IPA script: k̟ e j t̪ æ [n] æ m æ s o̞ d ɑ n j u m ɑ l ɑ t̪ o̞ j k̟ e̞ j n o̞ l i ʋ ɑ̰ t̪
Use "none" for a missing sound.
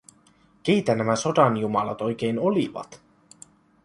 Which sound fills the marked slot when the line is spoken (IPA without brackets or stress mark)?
n